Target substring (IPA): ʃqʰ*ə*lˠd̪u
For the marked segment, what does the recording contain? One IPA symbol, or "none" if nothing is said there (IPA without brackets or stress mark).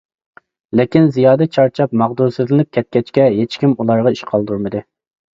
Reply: ɑ